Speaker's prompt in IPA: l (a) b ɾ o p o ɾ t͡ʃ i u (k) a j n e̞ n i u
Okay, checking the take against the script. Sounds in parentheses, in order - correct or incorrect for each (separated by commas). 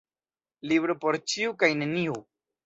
incorrect, correct